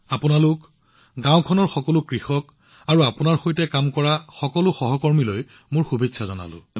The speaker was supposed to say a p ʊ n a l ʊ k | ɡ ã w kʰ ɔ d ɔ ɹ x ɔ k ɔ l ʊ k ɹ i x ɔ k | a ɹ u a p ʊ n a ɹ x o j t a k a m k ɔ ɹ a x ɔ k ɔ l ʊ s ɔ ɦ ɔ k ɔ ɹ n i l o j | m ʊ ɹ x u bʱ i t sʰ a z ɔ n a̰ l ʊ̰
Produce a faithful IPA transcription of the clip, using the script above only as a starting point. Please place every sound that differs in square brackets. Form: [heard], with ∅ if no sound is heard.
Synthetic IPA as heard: a p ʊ n a l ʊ k | ɡ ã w kʰ ɔ [n] ɔ ɹ x ɔ k ɔ l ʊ k ɹ i x ɔ k | a ɹ u a p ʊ n a ɹ x o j t [ɛ] k a m k ɔ ɹ a x ɔ k ɔ l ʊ [x] ɔ ɦ ɔ k ɔ ɹ [m] i l o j | m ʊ ɹ x u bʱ i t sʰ a z ɔ n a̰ l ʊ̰